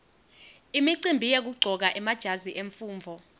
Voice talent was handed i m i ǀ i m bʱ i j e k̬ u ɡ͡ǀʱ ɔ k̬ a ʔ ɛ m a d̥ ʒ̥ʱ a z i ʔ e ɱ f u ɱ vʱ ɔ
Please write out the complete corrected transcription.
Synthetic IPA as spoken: i m i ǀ i m bʱ i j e k̬ u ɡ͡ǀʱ ɔ k̬ a ʔ ɛ m a d̥ ʒ̥ʱ a z i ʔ e ɱ f uː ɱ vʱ ɔ